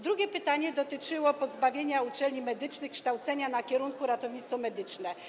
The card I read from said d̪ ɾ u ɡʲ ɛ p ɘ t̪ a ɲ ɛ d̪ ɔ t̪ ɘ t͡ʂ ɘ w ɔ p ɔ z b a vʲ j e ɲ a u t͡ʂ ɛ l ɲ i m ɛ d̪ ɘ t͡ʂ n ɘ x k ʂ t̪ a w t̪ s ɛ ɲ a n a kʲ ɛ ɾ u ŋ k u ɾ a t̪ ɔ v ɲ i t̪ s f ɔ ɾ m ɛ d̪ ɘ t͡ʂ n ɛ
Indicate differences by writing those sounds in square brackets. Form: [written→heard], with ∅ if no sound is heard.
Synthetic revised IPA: d̪ ɾ u ɡʲ ɛ p ɘ t̪ a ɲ ɛ d̪ ɔ t̪ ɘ t͡ʂ ɘ w ɔ p ɔ z b a vʲ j e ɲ a u t͡ʂ ɛ l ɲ i m ɛ d̪ ɘ t͡ʂ n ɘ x k ʂ t̪ a w t̪ s ɛ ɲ a n a kʲ ɛ ɾ u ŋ k u ɾ a t̪ ɔ v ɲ i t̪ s f ɔ [ɾ→∅] m ɛ d̪ ɘ t͡ʂ n ɛ